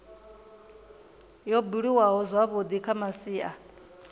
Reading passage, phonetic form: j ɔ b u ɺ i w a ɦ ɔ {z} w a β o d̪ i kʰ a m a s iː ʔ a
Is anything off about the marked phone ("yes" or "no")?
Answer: no